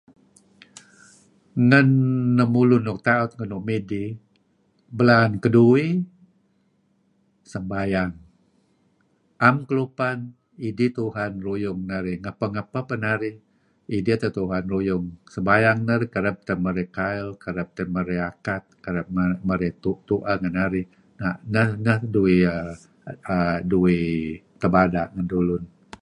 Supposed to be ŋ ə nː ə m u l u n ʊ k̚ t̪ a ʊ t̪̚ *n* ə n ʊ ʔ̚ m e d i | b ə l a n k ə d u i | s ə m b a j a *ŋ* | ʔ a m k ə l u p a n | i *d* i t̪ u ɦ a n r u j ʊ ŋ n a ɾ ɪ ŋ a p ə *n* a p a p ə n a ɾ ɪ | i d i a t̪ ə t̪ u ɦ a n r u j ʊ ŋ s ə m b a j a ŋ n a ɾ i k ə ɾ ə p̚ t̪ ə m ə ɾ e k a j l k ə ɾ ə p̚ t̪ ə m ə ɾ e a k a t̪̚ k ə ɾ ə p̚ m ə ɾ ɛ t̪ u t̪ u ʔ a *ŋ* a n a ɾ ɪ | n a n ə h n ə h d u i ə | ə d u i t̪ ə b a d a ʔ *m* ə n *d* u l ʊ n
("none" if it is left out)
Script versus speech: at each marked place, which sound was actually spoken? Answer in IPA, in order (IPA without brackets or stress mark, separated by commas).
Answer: ŋ, ŋ, d, ŋ, ŋ, ŋ, d